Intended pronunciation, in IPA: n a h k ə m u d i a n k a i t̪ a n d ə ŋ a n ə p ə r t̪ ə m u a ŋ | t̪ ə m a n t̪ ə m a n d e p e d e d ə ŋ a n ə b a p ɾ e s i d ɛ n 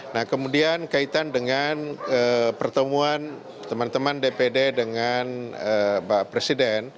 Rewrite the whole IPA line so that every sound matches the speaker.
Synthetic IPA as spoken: n a h k ə m u d i a n k a i t̪ a n d ə ŋ a n ə p ə r t̪ ə m u a n | t̪ ə m a n t̪ ə m a n d e p e d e d ə ŋ a n ə b a p ɾ e s i d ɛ n